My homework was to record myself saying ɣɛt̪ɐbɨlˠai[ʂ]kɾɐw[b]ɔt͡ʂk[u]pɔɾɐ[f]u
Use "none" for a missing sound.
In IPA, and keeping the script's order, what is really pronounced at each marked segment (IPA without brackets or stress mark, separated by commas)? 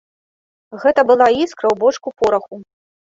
s, b, u, x